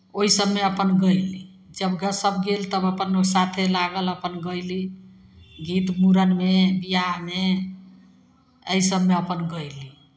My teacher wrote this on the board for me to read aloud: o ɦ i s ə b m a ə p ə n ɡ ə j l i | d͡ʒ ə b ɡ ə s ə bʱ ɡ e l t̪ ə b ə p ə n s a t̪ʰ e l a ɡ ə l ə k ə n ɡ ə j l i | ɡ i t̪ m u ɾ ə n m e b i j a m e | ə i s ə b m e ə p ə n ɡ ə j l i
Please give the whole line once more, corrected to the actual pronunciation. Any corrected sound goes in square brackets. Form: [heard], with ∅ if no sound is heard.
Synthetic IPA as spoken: o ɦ i s ə b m [e] ə p ə n ɡ ə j l i | d͡ʒ ə b ɡ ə s ə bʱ ɡ e l t̪ ə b ə p ə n s a t̪ʰ e l a ɡ ə l ə [p] ə n ɡ ə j l i | ɡ i t̪ m u ɾ ə n m e b i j a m e | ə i s ə b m e ə p ə n ɡ ə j l i